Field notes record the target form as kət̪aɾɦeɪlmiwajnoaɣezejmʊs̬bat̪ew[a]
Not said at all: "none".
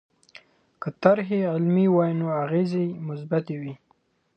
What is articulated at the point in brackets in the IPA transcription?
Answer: i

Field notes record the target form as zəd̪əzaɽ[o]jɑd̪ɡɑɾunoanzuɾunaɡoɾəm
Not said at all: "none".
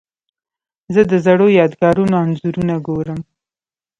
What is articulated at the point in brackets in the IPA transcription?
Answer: o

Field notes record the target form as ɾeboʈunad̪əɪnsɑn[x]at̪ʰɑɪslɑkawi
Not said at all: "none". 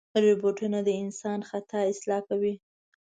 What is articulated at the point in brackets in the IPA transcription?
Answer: x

